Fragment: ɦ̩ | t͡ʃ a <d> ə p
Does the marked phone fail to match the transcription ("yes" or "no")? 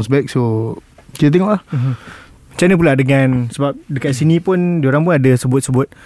yes